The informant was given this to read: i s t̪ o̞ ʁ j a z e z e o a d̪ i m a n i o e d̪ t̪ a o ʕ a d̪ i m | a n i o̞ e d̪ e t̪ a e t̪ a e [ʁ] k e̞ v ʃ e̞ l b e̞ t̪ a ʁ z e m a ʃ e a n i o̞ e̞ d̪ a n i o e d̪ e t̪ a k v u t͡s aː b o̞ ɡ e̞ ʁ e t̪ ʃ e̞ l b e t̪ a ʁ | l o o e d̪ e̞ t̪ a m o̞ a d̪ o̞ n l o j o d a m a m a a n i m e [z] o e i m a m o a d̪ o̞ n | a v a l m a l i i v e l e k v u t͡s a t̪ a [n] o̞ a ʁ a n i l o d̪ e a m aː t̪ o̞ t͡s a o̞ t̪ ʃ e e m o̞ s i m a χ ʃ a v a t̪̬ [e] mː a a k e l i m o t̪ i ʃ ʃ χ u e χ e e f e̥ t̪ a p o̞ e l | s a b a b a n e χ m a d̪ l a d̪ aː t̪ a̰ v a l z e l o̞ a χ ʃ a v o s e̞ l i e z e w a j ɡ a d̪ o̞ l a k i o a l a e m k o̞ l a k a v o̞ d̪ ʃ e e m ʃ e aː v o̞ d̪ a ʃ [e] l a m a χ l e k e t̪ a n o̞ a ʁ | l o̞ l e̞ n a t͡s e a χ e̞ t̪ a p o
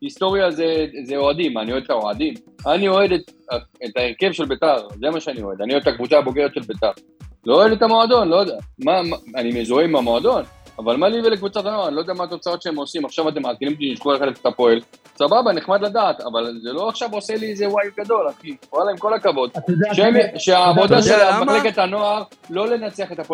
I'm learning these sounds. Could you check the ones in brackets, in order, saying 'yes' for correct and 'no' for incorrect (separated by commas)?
yes, yes, yes, yes, yes